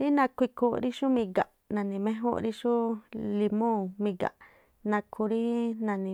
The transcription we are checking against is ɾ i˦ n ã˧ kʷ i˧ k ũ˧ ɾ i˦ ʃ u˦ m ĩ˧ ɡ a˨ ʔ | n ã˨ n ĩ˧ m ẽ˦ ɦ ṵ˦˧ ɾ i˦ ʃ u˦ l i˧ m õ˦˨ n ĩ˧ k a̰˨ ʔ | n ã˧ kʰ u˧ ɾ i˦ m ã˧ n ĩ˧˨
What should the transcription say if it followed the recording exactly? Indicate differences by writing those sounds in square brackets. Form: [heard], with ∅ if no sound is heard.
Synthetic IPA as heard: ɾ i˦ n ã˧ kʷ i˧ k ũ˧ ɾ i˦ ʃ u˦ m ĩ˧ ɡ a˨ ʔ | n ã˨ n ĩ˧ m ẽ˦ ɦ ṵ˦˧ ɾ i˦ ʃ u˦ l i˧ m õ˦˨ [m] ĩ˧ [ɡ] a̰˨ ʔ | n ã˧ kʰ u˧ ɾ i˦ [n] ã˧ n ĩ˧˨